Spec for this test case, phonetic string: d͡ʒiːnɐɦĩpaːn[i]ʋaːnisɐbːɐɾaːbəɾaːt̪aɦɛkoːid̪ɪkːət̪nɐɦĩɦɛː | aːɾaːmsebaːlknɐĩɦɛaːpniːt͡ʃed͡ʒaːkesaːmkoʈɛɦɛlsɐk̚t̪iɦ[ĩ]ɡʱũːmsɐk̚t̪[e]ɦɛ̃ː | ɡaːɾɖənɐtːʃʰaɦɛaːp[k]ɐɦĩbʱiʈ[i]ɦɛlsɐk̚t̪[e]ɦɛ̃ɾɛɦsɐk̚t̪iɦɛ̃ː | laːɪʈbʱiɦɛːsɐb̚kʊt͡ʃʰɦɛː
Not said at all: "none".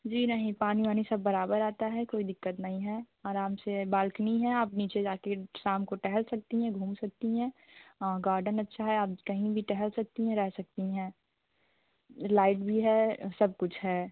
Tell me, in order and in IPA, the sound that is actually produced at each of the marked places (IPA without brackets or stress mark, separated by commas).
i, ɛ̃, i, k, ɛ, i